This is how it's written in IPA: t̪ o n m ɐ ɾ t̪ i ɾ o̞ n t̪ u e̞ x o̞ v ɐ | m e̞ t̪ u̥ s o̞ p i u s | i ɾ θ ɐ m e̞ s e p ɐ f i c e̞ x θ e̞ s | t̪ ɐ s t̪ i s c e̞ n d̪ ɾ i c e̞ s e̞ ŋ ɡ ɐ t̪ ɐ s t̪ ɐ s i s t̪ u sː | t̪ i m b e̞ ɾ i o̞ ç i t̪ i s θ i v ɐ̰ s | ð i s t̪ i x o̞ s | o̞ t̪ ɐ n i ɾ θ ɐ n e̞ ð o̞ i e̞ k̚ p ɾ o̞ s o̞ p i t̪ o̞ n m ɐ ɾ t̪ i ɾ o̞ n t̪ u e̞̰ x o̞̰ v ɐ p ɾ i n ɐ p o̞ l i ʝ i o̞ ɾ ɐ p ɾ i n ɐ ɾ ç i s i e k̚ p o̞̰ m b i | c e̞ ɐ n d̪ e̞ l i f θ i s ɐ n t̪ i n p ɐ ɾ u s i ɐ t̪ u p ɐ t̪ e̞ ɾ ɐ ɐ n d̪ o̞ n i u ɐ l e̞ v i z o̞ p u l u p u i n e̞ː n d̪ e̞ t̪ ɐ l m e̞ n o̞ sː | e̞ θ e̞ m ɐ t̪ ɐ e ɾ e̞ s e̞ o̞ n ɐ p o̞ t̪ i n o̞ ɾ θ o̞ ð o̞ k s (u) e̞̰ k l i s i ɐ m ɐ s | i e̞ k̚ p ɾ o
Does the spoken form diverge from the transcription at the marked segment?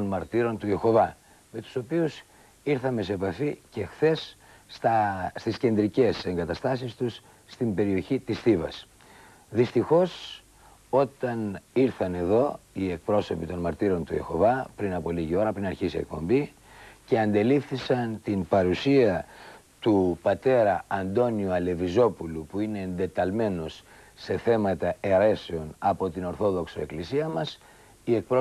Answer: yes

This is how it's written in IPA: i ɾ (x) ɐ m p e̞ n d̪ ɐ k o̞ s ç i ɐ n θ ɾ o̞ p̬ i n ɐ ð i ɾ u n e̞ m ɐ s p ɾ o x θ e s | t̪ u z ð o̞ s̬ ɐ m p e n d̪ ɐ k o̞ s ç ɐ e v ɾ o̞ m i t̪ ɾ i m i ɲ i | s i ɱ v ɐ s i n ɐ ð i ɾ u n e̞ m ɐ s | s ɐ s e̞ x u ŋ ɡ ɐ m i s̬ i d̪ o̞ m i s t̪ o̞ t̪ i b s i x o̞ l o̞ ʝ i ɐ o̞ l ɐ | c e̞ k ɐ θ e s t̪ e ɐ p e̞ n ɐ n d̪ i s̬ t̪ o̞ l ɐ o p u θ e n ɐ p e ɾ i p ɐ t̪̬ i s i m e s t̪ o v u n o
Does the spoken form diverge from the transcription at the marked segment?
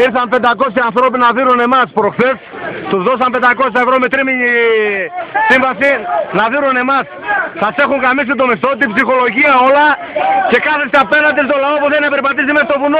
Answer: yes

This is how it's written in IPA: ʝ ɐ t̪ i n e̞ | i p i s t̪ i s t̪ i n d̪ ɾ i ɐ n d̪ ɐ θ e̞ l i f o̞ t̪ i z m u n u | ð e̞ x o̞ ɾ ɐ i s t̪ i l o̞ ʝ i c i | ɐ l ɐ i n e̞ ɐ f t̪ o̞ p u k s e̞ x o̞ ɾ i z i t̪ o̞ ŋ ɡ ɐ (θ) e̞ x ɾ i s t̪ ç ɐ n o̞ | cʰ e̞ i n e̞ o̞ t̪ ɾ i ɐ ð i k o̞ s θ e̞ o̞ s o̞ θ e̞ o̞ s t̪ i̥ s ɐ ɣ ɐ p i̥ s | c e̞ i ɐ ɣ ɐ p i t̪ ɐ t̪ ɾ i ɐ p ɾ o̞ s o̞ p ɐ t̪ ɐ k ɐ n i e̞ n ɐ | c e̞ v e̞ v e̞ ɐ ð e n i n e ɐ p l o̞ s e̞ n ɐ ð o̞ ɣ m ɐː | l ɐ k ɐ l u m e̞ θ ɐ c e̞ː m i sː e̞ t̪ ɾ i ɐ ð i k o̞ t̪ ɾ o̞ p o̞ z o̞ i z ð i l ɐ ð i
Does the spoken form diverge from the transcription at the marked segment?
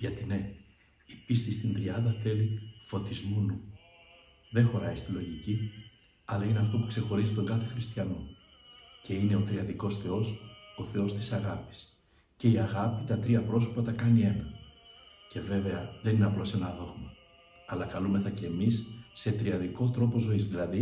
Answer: no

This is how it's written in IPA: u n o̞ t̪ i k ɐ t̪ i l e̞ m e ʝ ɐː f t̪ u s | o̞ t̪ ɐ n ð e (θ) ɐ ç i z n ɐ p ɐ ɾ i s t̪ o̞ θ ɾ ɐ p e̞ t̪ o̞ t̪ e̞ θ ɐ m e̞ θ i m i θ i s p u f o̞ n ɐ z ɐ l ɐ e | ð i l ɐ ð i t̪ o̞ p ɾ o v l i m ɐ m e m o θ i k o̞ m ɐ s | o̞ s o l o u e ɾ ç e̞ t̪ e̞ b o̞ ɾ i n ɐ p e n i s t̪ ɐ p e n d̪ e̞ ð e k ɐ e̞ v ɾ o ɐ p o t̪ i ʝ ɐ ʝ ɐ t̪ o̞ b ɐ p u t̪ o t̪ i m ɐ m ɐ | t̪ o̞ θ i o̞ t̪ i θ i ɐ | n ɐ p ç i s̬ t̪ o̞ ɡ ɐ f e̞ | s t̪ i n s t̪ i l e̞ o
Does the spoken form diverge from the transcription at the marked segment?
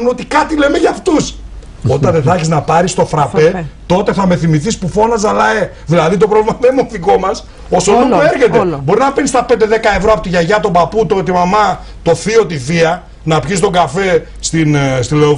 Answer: no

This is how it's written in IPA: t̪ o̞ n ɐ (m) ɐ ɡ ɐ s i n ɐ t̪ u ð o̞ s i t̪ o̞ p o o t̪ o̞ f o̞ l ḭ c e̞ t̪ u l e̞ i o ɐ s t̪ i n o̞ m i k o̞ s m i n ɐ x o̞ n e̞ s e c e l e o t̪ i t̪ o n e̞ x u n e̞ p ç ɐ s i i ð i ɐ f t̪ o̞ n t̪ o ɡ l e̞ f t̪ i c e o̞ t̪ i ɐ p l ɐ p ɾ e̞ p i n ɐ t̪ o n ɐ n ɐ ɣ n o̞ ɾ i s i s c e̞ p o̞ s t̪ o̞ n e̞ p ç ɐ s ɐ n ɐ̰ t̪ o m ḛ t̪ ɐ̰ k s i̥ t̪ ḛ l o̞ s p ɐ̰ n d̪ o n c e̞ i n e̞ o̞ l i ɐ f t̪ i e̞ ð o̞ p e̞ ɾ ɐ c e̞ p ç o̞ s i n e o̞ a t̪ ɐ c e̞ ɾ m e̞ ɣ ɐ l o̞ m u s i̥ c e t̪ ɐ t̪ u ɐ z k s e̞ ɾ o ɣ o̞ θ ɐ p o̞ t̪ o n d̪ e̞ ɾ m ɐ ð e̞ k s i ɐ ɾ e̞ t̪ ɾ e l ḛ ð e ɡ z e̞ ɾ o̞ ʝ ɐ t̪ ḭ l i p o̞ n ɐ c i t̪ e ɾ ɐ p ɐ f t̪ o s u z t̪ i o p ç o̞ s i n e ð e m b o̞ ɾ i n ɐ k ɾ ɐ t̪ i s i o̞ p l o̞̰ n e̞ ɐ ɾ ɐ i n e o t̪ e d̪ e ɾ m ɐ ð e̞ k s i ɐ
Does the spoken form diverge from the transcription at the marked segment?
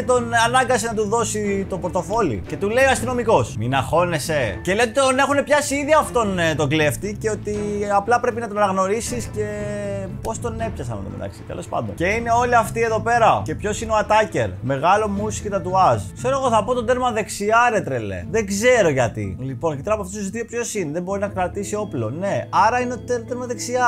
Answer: yes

